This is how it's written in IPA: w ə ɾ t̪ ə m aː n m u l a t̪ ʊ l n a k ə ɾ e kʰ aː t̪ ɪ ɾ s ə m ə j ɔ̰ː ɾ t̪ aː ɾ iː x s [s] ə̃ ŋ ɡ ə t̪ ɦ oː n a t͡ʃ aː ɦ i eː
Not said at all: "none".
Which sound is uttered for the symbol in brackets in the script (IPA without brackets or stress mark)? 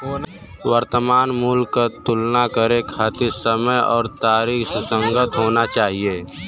s